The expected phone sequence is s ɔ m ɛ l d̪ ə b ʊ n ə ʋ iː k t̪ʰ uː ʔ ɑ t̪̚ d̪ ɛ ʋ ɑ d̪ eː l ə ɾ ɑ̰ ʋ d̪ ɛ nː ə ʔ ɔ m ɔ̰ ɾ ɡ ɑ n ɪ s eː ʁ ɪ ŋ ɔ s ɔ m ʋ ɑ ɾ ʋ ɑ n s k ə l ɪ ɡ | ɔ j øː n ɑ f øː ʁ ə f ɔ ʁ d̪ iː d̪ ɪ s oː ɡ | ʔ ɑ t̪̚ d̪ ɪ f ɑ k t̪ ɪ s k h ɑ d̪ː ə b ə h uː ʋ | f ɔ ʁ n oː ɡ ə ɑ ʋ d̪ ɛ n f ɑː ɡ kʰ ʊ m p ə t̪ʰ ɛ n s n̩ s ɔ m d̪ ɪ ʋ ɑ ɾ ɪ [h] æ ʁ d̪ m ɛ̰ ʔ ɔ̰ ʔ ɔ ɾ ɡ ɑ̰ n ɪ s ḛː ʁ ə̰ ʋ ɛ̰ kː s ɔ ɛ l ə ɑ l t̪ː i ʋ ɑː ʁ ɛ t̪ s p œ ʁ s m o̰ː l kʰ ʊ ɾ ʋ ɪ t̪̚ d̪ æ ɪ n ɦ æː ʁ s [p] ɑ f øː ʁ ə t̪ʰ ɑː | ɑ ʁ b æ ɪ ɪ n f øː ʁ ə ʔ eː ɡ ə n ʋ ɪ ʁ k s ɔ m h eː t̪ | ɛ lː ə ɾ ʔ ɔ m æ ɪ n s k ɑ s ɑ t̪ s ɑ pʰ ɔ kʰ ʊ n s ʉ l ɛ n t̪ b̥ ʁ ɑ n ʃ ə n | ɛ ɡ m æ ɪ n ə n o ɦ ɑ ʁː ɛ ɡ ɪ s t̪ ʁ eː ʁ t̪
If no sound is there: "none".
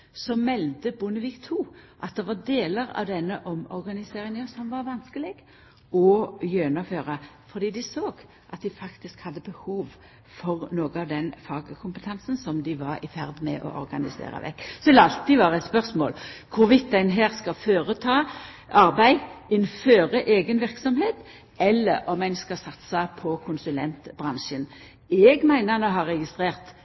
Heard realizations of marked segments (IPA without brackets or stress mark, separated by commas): f, k